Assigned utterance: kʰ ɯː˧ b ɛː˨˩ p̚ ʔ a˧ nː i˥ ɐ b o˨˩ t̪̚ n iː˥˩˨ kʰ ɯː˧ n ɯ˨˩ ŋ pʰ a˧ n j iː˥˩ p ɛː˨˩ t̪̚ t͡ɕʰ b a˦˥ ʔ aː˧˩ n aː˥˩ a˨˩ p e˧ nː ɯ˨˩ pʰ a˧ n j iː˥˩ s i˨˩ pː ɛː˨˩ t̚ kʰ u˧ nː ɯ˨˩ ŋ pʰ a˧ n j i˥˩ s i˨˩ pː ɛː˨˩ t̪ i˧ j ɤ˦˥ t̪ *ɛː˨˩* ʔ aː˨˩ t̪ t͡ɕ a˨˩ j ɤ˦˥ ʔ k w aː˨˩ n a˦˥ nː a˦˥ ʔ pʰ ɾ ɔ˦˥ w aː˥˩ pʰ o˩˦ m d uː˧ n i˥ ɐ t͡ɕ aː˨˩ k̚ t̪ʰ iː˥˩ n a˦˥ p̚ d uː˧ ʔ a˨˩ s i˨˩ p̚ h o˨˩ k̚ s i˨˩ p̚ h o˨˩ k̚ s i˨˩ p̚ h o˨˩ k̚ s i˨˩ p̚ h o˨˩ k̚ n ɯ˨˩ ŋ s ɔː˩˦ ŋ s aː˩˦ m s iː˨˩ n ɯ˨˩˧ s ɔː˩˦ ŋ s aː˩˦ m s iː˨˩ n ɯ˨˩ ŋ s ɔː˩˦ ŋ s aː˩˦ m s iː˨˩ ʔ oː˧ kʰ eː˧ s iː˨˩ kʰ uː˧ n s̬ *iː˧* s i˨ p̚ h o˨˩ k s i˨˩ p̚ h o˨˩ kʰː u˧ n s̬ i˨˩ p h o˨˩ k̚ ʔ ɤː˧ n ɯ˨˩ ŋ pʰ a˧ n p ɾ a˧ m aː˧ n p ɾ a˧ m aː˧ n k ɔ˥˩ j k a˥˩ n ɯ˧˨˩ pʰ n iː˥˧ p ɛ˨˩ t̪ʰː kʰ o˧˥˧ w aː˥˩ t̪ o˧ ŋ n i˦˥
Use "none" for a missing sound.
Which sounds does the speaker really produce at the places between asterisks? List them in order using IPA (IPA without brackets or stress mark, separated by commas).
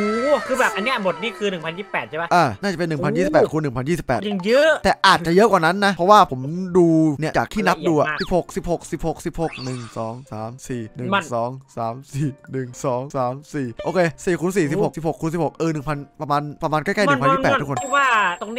ɛː˨˩, iː˨˩